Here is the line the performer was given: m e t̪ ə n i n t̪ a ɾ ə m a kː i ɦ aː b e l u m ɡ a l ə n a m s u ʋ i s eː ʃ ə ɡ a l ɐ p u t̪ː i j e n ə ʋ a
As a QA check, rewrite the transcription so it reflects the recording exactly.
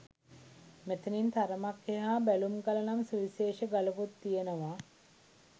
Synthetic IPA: m e t̪ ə n i n t̪ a ɾ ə m a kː e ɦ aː b æ l u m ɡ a l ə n a m s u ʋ i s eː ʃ ə ɡ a l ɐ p u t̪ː i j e n ə ʋ a